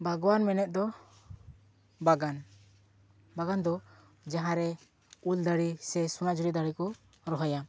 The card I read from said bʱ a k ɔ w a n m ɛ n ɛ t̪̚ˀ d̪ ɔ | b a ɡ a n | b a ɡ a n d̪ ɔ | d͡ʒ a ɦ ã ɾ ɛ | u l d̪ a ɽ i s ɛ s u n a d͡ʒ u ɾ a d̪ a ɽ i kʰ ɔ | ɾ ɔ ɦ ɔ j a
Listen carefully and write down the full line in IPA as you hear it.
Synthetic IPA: bʱ a ɡ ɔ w a n m ɛ n ɛ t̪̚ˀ d̪ ɔ | b a ɡ a n | b a ɡ a n d̪ ɔ | d͡ʒ a ɦ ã ɾ ɛ | u l d̪ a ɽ i s ɛ s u n a d͡ʒ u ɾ i d̪ a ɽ i k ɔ | ɾ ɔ ɦ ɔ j a